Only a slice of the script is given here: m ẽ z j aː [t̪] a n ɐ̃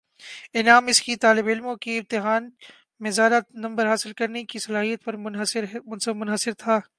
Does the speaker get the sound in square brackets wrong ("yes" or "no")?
yes